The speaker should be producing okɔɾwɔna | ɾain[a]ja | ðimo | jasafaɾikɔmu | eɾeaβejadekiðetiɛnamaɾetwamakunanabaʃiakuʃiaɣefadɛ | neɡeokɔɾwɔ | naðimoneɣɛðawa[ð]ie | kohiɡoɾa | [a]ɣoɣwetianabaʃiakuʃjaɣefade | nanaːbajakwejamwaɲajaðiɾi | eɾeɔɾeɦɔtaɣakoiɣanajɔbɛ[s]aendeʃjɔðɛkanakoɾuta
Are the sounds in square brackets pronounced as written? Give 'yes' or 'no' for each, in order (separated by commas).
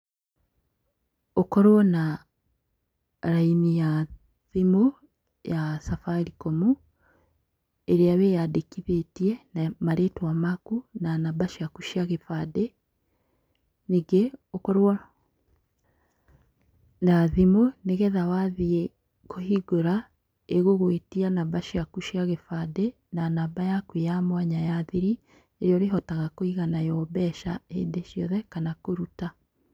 no, yes, no, no